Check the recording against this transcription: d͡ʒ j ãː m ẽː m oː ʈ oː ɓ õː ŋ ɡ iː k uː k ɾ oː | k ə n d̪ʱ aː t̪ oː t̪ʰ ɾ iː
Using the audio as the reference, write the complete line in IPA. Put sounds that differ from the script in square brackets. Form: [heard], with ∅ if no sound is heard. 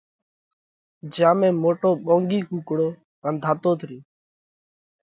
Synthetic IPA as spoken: d͡ʒ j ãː m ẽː m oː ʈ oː ɓ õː ŋ ɡ iː k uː k [ɽ] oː | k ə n d̪ʱ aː t̪ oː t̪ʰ ɾ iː